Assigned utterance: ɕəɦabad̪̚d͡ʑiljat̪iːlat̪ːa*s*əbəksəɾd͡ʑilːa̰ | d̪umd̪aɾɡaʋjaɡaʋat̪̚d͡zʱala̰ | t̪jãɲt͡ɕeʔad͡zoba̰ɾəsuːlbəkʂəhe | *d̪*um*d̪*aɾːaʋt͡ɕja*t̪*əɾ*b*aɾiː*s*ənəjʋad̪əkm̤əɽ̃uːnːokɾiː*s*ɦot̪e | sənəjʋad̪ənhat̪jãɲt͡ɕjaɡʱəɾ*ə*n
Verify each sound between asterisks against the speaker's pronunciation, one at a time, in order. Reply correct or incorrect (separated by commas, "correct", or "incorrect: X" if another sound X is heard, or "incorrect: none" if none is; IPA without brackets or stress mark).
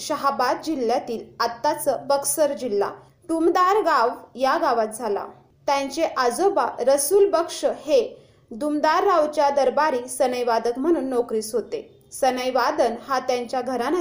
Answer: incorrect: t͡s, correct, correct, incorrect: d̪, correct, correct, correct, incorrect: a